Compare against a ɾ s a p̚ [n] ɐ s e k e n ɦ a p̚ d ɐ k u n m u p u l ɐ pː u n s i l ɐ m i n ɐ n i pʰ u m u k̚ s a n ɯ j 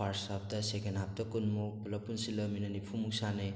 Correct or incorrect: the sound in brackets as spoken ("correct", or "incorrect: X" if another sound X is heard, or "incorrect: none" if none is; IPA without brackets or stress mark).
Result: incorrect: d